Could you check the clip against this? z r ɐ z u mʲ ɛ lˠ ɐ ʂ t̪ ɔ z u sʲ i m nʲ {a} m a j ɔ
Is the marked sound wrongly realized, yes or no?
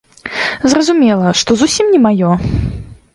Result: yes